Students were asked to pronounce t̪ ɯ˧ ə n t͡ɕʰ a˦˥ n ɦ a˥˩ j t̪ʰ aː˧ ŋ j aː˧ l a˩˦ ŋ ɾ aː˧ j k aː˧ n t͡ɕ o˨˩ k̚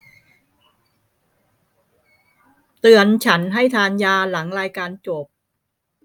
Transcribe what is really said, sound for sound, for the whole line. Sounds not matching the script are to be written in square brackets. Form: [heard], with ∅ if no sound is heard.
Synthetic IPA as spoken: t̪ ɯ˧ ə n t͡ɕʰ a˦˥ n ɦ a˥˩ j t̪ʰ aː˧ [n] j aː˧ l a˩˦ ŋ ɾ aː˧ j k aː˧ n t͡ɕ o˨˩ [p̚]